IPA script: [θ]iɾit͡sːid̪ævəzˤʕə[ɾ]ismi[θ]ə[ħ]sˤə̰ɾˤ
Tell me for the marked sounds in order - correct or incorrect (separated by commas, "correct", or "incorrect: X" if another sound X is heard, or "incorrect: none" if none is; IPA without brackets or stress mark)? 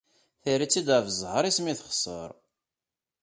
correct, correct, correct, incorrect: χ